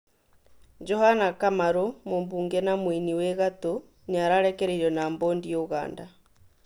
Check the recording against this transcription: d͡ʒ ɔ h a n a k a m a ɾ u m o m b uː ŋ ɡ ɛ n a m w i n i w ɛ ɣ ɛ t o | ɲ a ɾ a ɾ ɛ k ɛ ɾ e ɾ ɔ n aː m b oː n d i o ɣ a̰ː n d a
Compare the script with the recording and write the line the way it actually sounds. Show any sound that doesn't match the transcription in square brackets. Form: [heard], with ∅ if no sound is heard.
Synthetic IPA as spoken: d͡ʒ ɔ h a n a k a m a ɾ [o] m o m b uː ŋ ɡ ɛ n a m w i n i w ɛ ɣ [a] t o | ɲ a ɾ a ɾ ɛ k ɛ ɾ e ɾ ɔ n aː m b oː n d i o ɣ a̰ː n d a